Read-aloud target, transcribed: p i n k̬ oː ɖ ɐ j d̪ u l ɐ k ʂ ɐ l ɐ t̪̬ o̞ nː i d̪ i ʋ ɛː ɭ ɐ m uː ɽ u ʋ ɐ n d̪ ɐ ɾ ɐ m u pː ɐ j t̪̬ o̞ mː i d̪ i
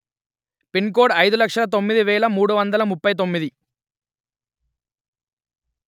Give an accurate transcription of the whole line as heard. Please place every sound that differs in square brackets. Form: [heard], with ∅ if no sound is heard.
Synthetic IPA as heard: p i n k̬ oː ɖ ɐ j d̪ u l ɐ k ʂ ɐ l ɐ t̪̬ o̞ [mː] i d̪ i ʋ ɛː ɭ ɐ m uː ɽ u ʋ ɐ n d̪ ɐ [l] ɐ m u pː ɐ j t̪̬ o̞ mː i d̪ i

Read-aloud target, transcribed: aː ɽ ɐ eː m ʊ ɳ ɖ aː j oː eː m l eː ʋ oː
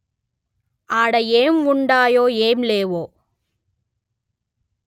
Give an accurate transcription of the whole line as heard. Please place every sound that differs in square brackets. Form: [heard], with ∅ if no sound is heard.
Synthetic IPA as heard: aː ɽ ɐ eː m ʊ ɳ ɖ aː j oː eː m l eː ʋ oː

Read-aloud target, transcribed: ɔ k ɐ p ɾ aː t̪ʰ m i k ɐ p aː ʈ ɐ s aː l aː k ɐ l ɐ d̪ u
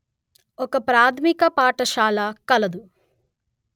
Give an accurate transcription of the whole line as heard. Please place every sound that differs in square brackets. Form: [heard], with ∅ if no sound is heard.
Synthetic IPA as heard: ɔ k ɐ p ɾ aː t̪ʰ m i k ɐ p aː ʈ ɐ [ʃ] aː l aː k ɐ l ɐ d̪ u

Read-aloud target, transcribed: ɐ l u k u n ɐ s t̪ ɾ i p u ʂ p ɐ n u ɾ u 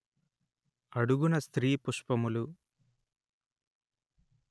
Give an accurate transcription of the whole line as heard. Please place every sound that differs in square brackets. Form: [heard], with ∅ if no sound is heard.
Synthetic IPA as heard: ɐ [ɽ] u [ɡ] u n ɐ s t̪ ɾ [iː] p u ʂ p ɐ [m] u [l] u

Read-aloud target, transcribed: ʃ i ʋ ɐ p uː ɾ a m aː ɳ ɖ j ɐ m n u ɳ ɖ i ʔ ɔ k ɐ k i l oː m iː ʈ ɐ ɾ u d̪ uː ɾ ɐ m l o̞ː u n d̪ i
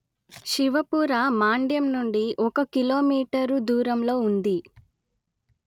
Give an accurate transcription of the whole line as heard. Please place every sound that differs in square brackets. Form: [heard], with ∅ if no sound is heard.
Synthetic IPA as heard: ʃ i ʋ ɐ p uː ɾ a m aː ɳ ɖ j ɐ m n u ɳ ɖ i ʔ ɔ k ɐ k i l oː m iː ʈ ɐ ɾ u d̪ uː ɾ ɐ m l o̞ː u n d̪ i

